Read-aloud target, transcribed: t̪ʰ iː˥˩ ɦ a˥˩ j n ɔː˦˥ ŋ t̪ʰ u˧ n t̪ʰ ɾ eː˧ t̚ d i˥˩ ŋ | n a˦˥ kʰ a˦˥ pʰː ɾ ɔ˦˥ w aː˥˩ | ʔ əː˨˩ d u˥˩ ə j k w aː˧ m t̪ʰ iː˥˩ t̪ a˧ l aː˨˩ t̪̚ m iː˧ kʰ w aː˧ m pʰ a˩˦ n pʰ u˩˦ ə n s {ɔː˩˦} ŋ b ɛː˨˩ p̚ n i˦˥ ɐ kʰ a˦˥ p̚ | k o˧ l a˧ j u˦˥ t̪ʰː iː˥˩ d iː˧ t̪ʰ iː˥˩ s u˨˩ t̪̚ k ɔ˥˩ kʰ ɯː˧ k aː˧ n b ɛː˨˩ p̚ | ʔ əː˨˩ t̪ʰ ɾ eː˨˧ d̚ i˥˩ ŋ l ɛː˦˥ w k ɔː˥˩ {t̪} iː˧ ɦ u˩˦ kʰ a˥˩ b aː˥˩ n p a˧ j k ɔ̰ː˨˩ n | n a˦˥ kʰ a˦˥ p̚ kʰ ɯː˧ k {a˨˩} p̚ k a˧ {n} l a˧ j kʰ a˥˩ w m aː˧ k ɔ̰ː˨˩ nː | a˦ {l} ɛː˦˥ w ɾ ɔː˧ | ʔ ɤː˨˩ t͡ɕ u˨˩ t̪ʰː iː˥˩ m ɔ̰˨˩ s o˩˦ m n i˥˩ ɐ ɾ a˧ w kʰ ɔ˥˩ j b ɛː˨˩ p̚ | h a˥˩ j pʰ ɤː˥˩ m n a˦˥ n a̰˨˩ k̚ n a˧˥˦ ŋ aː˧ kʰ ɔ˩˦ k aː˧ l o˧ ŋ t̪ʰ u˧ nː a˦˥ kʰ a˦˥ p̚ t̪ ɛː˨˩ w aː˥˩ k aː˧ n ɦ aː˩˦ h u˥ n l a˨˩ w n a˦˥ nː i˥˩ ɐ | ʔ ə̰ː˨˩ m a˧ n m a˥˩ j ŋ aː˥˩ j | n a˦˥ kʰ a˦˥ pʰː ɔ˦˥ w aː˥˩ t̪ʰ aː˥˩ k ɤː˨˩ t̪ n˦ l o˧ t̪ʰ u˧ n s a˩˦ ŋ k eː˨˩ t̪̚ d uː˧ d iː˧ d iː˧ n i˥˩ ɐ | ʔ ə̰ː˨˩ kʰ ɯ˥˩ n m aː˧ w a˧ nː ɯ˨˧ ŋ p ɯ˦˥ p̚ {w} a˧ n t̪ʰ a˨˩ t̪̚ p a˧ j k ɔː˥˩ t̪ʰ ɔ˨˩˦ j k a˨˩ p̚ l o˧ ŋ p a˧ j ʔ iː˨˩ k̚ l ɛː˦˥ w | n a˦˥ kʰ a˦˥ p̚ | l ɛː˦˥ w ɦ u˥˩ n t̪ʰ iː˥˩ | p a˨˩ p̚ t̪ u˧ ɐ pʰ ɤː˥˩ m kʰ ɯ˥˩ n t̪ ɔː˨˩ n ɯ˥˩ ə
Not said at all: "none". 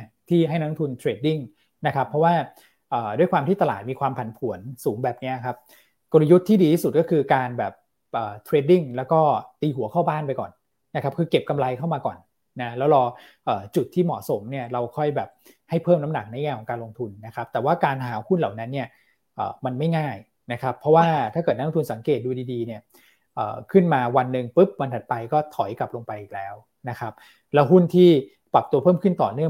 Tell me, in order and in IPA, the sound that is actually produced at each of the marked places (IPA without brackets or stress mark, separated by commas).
uː˩˦, t̪, e˨˩, m, l, w